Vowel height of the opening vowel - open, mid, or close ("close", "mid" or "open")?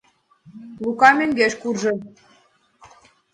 close